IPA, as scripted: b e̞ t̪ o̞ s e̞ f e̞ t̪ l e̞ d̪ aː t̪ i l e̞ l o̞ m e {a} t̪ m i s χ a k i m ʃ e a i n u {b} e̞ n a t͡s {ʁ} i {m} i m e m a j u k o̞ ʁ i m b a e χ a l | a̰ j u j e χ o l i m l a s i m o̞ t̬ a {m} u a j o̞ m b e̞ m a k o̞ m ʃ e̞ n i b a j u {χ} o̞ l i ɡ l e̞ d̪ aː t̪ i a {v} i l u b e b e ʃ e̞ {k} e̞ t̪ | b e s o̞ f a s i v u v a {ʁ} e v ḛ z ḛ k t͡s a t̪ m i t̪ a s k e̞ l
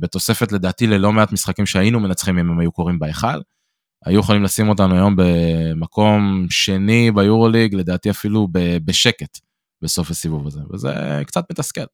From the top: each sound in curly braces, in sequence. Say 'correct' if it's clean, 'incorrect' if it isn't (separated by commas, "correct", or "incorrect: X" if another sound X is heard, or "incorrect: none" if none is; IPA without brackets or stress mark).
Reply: correct, incorrect: m, incorrect: χ, correct, incorrect: n, incorrect: ʁ, incorrect: f, correct, incorrect: z